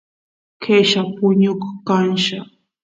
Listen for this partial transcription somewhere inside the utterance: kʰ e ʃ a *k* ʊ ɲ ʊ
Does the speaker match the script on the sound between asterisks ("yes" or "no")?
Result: no